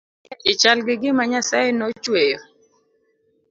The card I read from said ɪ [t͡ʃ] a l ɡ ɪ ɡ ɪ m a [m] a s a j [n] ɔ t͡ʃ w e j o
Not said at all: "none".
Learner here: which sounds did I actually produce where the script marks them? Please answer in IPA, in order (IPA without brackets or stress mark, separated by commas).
t͡ʃ, ɲ, n